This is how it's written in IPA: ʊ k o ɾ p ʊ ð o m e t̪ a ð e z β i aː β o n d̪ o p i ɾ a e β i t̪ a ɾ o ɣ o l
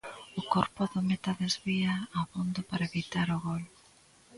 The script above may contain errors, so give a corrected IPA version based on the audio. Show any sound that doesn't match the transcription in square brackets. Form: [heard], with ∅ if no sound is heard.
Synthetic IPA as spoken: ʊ k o ɾ p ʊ ð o m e t̪ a ð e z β i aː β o n d̪ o p [a] ɾ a e β i t̪ a ɾ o ɣ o l